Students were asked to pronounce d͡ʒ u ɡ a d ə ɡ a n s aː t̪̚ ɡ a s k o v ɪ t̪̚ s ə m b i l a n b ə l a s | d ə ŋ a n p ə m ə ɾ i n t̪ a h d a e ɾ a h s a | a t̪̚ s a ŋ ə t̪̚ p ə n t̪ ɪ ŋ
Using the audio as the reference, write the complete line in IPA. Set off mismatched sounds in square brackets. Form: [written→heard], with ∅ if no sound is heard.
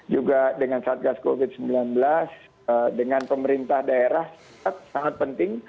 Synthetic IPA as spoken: d͡ʒ u ɡ a d ə [ɡ→ŋ] a n s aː t̪̚ ɡ a s k o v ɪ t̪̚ s ə m b i l a n b ə l a s | d ə ŋ a n p ə m ə ɾ i n t̪ a h d a e ɾ a h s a | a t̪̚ s a ŋ [ə→a] t̪̚ p ə n t̪ ɪ ŋ